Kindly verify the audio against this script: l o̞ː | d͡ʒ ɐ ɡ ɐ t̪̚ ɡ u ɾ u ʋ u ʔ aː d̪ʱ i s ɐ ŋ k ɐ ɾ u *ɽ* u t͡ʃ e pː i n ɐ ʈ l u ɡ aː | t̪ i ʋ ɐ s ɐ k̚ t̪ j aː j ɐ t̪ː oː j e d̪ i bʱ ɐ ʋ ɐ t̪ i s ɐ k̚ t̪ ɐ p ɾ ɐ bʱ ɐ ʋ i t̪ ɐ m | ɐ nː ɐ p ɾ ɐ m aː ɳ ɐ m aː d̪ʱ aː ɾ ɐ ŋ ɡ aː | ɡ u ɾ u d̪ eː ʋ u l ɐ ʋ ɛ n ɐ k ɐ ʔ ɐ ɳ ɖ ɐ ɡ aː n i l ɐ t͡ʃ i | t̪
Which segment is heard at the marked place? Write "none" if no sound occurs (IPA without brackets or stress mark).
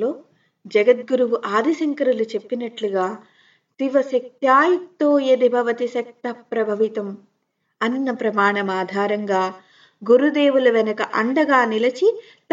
l